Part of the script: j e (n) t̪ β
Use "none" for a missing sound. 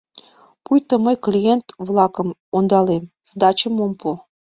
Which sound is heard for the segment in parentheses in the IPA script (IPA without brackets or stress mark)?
n